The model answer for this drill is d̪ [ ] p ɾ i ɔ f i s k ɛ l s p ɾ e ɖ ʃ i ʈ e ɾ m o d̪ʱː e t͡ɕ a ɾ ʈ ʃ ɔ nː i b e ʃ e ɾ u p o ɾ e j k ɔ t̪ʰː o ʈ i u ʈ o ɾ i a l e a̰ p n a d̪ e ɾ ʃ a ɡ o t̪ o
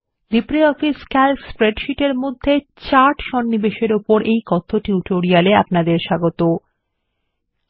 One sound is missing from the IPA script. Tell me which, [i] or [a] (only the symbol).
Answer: i